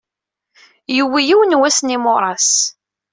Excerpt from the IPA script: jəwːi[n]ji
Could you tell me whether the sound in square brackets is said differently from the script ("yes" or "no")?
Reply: yes